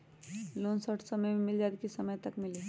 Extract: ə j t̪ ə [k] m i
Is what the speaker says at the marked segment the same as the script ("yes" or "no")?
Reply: yes